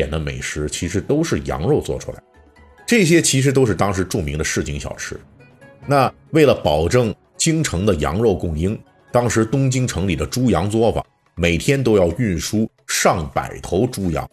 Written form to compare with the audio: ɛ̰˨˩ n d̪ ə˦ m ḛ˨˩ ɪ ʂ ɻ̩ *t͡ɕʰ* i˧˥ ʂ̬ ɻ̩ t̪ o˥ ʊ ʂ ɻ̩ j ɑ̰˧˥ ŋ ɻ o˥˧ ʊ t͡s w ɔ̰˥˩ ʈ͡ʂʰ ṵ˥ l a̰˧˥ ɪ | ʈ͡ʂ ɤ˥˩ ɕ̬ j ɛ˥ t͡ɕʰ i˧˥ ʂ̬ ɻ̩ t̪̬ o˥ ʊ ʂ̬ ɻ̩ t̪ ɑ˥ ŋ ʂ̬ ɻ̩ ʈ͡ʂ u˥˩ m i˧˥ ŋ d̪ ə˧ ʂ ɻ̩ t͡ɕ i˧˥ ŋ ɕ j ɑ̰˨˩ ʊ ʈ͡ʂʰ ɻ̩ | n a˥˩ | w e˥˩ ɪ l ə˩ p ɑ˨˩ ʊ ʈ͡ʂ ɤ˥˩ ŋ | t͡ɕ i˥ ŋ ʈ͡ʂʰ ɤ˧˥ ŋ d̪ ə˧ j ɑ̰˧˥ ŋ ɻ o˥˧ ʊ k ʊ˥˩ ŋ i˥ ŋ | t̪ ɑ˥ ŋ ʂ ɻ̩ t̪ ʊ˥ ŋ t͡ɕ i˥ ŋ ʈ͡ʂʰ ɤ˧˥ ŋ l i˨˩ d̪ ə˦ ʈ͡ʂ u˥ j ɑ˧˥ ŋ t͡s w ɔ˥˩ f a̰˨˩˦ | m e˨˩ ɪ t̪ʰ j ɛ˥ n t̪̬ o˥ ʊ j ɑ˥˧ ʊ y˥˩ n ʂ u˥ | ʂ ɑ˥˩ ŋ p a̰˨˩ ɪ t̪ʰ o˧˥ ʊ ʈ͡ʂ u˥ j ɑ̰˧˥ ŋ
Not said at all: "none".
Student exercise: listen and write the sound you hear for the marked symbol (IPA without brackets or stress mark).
t͡ɕʰ